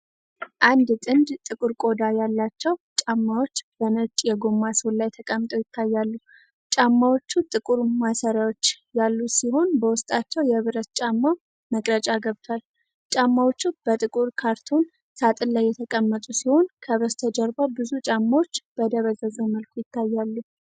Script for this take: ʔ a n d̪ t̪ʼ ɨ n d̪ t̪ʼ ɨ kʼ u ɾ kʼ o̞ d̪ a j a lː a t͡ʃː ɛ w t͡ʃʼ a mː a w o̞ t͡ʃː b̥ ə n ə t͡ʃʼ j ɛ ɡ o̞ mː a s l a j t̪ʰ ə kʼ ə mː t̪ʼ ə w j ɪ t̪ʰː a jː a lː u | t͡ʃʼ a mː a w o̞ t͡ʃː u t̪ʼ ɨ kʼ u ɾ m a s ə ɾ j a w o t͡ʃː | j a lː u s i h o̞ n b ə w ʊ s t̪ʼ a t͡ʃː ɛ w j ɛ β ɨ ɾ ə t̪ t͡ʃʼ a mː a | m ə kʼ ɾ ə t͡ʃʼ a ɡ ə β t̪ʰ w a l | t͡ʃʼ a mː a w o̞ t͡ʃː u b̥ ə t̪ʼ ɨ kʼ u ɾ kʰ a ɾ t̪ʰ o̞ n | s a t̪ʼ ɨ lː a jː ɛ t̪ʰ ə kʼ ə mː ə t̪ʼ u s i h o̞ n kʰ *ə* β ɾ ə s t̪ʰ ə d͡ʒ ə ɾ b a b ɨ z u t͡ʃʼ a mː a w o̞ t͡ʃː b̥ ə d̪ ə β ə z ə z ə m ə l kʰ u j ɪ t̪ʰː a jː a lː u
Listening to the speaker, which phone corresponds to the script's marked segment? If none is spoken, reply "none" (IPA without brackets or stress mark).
ə